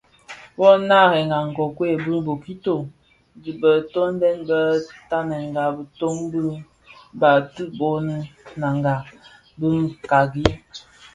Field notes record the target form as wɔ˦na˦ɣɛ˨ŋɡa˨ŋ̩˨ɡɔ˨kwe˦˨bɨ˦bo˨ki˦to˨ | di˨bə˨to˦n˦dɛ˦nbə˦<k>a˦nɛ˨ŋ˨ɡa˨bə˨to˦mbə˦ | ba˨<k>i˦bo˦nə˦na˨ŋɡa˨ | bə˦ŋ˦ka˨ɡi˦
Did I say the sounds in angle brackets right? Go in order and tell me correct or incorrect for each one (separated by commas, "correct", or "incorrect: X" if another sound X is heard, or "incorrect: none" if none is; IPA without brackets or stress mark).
incorrect: t, incorrect: t